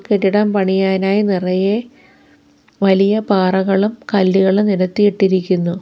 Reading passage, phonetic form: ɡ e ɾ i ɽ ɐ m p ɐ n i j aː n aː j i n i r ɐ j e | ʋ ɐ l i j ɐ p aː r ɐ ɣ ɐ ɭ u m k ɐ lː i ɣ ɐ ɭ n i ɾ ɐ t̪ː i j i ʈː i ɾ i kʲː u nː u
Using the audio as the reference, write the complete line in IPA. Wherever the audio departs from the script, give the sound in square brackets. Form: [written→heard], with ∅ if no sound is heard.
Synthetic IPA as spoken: [ɡ→k] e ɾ i ɽ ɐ m p ɐ [n→ɳ] i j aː n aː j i n i r ɐ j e | ʋ ɐ l i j ɐ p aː r ɐ ɣ ɐ ɭ u m k ɐ lː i ɣ ɐ ɭ n i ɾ ɐ t̪ː i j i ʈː i ɾ i kʲː u nː u